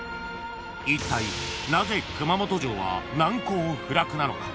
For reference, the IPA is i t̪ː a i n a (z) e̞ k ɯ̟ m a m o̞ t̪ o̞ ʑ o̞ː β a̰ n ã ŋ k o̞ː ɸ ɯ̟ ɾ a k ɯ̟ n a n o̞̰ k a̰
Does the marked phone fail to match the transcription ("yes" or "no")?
no